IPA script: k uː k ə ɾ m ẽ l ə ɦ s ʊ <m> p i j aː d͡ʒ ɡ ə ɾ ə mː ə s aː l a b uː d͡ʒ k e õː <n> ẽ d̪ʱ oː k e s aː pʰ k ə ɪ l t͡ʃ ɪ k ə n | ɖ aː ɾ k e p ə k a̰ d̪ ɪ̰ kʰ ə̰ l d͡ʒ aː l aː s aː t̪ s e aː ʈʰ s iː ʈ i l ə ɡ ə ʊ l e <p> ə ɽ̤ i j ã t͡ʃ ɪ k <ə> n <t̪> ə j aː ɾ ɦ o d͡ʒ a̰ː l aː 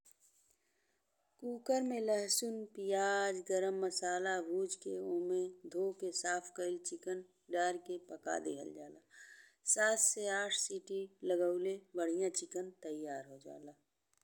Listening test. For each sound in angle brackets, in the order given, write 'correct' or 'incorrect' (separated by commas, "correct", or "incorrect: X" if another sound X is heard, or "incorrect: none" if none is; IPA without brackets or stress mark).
incorrect: n, incorrect: m, incorrect: b, correct, correct